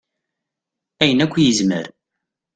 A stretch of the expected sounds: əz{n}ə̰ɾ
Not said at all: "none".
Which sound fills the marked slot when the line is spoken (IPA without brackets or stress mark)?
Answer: m